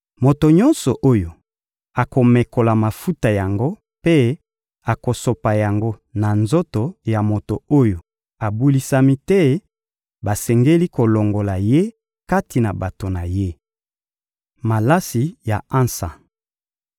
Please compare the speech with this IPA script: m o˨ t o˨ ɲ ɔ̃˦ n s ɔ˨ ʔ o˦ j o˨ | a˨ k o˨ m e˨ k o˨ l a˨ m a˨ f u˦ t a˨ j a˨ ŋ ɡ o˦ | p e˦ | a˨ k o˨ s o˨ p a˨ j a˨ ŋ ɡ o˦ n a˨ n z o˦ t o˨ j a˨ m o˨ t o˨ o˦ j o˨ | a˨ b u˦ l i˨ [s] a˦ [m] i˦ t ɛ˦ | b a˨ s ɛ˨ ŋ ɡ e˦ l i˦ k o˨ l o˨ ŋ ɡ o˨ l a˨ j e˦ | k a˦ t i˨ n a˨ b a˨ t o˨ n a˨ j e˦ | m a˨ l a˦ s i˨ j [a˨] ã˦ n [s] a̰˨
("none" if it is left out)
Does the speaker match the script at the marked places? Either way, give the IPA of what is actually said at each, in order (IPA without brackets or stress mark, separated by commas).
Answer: s, m, a˨, s